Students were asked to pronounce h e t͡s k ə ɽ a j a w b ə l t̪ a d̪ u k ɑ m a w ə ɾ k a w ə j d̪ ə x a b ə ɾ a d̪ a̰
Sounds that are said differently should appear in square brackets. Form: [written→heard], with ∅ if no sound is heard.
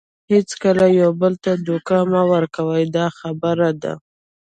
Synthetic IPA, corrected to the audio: h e t͡s k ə [ɽ→l] a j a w b ə l t̪ a d̪ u k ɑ m a w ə ɾ k a w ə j d̪ [ə→ɑ] x a b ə ɾ a d̪ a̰